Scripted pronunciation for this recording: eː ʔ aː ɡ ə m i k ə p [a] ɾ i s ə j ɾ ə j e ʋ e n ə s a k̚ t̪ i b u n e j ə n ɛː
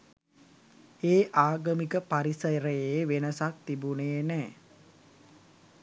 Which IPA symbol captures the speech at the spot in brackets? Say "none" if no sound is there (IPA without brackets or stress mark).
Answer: a